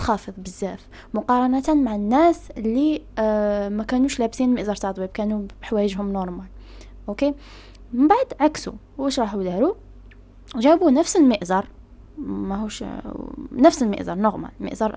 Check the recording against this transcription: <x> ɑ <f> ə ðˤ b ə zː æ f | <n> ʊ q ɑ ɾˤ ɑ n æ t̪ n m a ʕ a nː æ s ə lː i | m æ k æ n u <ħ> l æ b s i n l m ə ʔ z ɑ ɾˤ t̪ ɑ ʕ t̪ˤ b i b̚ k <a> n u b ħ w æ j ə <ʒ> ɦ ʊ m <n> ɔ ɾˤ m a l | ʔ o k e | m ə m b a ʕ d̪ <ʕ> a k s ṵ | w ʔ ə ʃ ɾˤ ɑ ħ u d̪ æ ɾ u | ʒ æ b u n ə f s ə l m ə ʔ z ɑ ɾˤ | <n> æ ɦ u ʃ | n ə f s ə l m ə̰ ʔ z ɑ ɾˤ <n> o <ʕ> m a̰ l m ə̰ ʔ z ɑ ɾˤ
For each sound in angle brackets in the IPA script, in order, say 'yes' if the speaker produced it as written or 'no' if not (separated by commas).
yes, yes, no, no, no, yes, yes, yes, no, yes, no